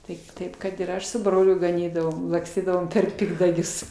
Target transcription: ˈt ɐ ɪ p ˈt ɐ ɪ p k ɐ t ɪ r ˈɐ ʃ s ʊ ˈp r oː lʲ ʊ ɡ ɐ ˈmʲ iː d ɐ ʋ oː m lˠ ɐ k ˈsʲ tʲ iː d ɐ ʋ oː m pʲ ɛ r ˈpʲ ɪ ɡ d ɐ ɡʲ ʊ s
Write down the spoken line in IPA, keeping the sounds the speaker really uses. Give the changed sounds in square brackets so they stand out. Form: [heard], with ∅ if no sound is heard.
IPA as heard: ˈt ɐ ɪ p ˈt ɐ ɪ p k ɐ t ɪ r ˈɐ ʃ s ʊ [ˈb] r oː lʲ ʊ ɡ ɐ [ˈnʲ] iː d ɐ ʋ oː m lˠ ɐ k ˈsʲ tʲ iː d ɐ ʋ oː m pʲ ɛ r ˈpʲ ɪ ɡ d ɐ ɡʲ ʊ s